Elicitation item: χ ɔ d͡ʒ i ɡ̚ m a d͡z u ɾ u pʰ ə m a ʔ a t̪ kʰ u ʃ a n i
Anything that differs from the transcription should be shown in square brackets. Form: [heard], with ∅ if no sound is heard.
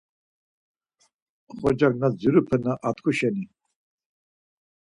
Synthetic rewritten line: χ ɔ d͡ʒ [a] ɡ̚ [n] a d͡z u ɾ u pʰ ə [n] a ʔ a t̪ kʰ u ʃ [ɛ] n i